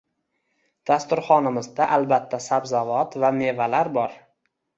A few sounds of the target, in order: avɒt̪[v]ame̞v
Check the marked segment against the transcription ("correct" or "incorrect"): correct